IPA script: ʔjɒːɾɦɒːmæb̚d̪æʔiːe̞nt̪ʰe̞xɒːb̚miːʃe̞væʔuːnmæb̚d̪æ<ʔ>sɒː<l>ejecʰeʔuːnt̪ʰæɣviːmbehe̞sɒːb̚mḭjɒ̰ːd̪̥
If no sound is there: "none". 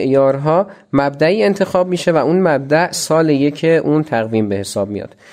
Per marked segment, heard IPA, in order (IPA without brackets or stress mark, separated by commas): ʔ, l